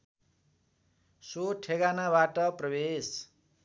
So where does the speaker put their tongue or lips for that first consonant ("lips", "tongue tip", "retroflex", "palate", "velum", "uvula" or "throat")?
tongue tip